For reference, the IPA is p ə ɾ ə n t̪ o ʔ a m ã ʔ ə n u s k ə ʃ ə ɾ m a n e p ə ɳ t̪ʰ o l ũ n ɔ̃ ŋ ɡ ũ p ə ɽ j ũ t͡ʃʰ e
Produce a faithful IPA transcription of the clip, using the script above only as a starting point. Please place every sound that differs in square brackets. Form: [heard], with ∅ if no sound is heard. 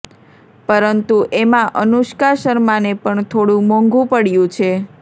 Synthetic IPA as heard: p ə ɾ ə n t̪ [u] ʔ [e] m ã ʔ ə n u [ʃ] k [a] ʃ ə ɾ m a n e p ə ɳ t̪ʰ o [ɽ] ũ [m] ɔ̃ ŋ ɡ ũ p ə ɽ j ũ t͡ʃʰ e